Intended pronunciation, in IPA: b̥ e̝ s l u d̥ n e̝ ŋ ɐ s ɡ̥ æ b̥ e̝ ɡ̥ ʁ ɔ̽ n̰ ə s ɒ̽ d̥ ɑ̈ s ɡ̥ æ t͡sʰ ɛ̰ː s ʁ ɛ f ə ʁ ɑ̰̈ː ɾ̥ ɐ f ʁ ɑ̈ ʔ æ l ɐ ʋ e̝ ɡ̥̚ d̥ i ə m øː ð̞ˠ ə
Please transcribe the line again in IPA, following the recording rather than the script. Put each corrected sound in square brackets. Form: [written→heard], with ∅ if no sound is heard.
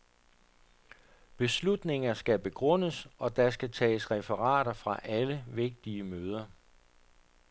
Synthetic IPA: b̥ e̝ s l u d̥ n e̝ ŋ ɐ s ɡ̥ æ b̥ e̝ ɡ̥ ʁ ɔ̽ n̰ ə s ɒ̽ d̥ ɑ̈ s ɡ̥ æ t͡sʰ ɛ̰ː s ʁ ɛ f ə ʁ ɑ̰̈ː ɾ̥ ɐ f ʁ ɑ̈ ʔ æ l [ɐ→ə] ʋ e̝ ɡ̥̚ d̥ i ə m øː ð̞ˠ [ə→ɐ]